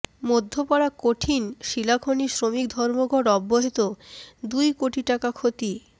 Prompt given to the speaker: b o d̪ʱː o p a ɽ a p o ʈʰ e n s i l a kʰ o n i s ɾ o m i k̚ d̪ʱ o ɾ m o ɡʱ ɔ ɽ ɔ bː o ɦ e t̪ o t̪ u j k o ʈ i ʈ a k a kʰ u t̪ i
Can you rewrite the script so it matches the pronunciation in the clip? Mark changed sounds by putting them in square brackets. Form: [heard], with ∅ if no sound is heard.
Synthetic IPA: [m] o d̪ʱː o p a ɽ a [k] o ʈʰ [i] n [ʃ] i l a kʰ o n i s ɾ o m i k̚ d̪ʱ [ɔ] ɾ m o ɡʱ ɔ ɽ ɔ bː o ɦ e t̪ o [d̪] u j k o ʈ i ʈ a k a kʰ [o] t̪ i